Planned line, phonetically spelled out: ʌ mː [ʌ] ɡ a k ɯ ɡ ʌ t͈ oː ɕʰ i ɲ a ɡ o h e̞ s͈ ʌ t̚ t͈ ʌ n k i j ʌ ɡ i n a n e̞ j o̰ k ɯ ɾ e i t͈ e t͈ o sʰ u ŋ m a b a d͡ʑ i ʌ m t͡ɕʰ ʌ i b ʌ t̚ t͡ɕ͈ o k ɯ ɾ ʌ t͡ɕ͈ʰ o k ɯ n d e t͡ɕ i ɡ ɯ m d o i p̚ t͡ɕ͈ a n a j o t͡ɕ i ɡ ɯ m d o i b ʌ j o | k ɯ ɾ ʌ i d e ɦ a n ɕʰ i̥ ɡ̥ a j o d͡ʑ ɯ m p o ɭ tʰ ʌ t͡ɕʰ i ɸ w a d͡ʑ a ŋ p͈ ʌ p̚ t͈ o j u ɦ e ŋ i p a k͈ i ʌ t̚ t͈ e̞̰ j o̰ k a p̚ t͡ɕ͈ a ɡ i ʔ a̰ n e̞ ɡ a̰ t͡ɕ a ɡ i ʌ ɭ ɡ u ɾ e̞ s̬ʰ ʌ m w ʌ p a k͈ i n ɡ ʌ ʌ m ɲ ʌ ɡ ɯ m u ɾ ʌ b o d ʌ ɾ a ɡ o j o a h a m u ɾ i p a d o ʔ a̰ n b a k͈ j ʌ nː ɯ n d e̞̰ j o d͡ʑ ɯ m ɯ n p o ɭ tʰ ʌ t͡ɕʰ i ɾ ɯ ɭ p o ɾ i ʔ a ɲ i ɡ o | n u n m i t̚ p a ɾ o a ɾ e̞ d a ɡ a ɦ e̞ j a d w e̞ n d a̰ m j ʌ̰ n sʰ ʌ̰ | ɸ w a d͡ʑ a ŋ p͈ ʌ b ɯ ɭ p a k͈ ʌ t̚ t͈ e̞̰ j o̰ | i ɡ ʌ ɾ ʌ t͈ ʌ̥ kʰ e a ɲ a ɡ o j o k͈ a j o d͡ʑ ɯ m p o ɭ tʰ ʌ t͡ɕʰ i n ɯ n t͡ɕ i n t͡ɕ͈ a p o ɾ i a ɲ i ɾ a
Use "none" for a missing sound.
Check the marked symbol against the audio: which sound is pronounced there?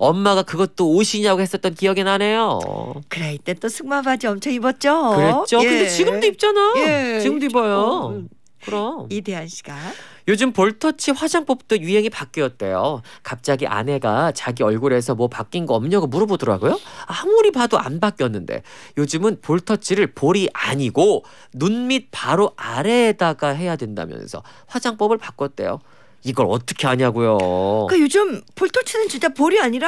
a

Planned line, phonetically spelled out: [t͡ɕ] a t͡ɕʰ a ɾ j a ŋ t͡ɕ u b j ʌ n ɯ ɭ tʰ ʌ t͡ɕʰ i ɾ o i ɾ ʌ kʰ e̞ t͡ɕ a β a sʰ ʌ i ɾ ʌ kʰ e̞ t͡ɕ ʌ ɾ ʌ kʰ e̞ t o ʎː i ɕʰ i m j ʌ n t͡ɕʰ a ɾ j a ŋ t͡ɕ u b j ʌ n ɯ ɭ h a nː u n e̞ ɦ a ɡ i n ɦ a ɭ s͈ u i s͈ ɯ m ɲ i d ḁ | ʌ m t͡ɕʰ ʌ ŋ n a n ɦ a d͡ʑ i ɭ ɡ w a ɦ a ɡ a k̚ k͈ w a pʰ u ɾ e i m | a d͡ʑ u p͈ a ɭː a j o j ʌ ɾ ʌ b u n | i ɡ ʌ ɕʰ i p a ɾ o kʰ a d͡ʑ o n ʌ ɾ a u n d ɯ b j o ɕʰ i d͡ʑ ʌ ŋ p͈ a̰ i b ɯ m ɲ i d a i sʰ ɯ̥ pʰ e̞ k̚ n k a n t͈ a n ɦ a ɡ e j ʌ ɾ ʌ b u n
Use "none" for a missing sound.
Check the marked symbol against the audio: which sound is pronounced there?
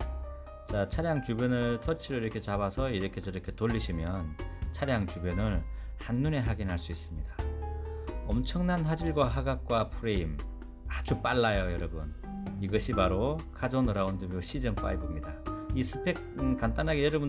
t͡ɕ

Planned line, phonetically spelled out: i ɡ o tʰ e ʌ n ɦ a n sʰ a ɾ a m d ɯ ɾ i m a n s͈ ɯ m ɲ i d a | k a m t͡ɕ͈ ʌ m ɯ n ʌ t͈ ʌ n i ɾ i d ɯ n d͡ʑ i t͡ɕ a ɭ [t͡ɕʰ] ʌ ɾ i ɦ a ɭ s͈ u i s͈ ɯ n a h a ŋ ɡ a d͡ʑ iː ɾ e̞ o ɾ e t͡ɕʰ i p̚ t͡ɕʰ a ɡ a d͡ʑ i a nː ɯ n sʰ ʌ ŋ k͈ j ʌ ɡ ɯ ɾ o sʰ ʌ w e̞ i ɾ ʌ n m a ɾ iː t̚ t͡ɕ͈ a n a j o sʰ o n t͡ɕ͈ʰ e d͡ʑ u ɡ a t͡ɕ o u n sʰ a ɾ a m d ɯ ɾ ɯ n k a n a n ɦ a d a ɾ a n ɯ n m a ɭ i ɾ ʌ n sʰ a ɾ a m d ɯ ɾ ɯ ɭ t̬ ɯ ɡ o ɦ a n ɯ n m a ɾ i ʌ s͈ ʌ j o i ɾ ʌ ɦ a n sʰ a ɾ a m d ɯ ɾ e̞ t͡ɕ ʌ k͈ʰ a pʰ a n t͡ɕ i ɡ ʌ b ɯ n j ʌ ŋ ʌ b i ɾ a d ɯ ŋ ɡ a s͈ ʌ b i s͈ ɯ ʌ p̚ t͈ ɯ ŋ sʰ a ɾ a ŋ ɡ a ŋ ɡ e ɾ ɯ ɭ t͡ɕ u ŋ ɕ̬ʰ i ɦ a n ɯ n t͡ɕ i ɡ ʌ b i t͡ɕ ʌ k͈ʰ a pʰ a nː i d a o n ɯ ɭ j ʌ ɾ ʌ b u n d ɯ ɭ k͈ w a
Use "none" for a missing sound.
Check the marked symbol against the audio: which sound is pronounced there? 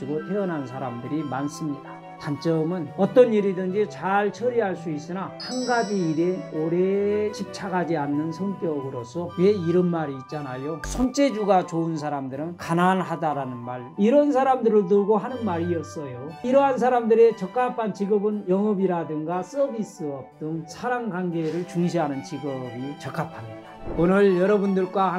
t͡ɕʰ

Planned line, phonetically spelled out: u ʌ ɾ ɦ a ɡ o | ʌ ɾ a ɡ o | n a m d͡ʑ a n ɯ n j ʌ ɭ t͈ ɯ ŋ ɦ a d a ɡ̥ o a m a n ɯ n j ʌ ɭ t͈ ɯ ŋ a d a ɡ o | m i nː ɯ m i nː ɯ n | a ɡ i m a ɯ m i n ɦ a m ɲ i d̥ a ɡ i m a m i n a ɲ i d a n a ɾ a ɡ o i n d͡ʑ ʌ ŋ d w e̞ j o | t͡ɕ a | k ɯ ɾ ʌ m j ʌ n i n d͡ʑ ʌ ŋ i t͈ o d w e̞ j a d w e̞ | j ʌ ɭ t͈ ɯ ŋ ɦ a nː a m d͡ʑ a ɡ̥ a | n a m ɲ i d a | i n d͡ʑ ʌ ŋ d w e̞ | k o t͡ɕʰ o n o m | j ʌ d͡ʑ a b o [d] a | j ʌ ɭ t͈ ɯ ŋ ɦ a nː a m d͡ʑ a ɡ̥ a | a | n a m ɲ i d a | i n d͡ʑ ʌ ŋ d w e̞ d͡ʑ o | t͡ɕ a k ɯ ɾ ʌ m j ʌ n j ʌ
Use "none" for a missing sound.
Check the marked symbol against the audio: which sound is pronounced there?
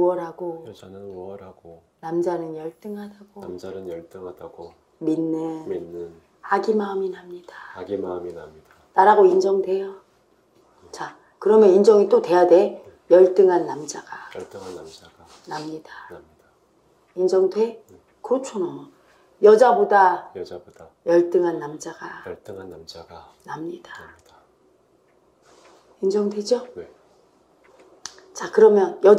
d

